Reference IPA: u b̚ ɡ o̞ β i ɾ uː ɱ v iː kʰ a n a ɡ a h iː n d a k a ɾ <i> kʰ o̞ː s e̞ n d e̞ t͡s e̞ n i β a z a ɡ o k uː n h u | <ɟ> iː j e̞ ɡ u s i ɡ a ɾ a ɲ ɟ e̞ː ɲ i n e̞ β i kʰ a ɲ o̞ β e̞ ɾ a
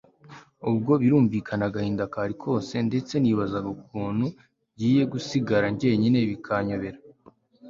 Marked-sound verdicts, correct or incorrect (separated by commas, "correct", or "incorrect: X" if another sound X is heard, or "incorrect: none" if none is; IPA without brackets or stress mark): correct, correct